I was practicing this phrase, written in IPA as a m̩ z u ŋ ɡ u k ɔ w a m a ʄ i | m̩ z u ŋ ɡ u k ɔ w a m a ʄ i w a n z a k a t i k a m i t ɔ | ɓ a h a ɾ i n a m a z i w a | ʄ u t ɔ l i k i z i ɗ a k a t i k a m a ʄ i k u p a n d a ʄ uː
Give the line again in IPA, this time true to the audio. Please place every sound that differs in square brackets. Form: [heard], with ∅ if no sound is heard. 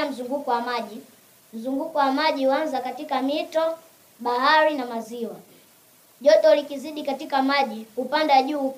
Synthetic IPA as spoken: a m̩ z u ŋ ɡ u k ɔ w a m a ʄ i | m̩ z u ŋ ɡ u k ɔ w a m a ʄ i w a n z a k a t i k a m i t ɔ | ɓ a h a ɾ i n a m a z i w a | ʄ [ɔ] t ɔ l i k i z i ɗ [i] k a t i k a m a ʄ i k u p a n d a ʄ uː